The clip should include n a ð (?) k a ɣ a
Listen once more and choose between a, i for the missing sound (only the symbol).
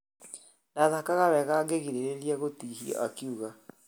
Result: a